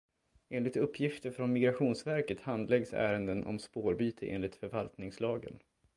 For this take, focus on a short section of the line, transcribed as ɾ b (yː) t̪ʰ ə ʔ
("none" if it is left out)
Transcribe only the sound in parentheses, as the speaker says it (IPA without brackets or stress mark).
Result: yː